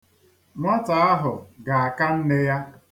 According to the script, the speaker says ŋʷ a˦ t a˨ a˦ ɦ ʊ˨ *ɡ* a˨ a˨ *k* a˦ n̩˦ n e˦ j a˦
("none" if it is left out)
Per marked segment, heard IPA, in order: ɡ, k

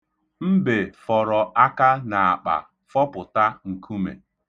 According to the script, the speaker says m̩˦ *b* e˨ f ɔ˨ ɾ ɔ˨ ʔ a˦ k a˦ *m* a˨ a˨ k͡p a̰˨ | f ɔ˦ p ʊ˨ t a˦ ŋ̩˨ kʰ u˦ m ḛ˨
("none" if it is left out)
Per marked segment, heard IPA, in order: b, n

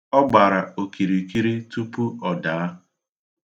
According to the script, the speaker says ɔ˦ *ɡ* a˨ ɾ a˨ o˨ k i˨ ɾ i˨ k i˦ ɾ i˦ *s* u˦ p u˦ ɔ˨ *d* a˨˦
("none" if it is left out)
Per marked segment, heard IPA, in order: ɡ͡b, t, d

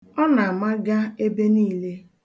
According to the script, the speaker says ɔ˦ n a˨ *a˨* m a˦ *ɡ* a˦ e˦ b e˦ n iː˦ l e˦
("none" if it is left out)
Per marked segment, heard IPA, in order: a˨, ɡ

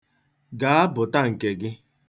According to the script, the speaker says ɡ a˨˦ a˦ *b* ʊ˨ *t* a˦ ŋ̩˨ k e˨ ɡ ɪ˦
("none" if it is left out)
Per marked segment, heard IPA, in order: b, t

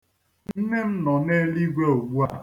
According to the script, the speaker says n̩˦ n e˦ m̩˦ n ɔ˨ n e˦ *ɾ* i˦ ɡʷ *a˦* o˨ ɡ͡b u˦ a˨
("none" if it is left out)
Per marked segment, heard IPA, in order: l, e˦

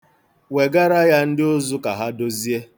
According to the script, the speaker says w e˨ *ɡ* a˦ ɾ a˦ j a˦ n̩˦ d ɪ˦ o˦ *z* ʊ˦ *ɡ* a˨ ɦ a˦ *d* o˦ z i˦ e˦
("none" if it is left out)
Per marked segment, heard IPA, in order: ɡ, z, k, d

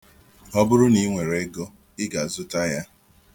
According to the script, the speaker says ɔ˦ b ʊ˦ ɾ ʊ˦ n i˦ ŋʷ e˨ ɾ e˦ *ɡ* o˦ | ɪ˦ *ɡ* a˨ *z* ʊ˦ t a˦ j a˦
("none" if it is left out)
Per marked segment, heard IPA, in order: ɡ, ɡ, z

